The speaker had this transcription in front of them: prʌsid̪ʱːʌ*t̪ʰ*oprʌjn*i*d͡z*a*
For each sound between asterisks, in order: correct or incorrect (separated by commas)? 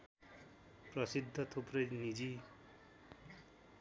correct, correct, incorrect